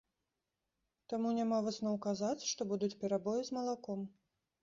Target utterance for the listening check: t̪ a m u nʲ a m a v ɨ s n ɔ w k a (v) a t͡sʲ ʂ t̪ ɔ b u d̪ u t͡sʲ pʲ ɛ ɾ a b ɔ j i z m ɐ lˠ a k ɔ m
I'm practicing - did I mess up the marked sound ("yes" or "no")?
yes